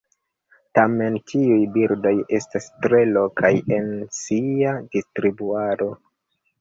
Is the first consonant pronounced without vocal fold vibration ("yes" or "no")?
yes